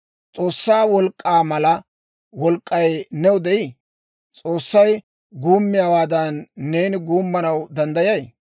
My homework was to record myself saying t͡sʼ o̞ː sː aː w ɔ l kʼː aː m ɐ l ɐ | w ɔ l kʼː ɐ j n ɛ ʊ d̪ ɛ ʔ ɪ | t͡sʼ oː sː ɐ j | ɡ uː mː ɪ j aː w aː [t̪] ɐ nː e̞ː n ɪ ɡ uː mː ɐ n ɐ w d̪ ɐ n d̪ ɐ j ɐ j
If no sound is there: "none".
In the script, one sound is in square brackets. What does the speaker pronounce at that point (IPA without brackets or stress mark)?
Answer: d̪